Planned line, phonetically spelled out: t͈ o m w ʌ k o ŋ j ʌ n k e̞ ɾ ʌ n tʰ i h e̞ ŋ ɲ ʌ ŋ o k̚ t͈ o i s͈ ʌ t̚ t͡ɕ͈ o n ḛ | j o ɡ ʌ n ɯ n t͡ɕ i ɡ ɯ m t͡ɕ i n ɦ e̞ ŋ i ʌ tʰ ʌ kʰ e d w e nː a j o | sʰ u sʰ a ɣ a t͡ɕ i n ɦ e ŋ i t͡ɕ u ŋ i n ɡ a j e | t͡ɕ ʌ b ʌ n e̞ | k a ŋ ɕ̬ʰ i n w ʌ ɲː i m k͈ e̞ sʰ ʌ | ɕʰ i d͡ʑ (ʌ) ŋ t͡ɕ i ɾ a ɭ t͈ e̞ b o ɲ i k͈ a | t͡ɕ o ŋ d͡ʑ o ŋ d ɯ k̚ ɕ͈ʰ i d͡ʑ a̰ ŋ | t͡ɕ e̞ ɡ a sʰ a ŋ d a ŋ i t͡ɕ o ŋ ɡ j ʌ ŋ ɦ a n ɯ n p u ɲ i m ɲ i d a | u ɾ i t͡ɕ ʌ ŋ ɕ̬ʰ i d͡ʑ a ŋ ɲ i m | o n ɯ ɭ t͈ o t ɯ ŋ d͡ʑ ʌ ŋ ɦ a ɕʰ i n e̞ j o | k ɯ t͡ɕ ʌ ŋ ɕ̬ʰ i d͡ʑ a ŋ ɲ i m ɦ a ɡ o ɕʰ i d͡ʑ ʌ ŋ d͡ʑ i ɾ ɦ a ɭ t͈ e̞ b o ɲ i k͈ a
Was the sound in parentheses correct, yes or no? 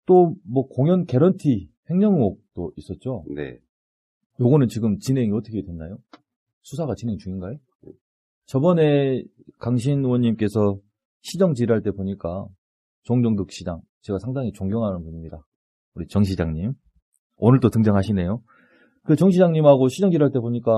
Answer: yes